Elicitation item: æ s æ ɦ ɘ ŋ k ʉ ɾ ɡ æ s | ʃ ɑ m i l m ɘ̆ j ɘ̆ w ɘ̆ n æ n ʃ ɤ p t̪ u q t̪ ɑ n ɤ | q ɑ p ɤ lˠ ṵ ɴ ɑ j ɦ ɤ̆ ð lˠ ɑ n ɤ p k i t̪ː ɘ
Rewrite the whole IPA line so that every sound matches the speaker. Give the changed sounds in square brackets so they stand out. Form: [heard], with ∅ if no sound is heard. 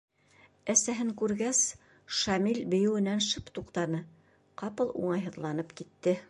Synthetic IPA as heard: æ s æ ɦ ɘ ŋ k ʉ ɾ ɡ æ s | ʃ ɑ m i l [b] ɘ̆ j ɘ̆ w ɘ̆ n æ n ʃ ɤ p t̪ u q t̪ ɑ n ɤ | q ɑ p ɤ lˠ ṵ ɴ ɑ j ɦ ɤ̆ ð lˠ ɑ n ɤ p k i t̪ː ɘ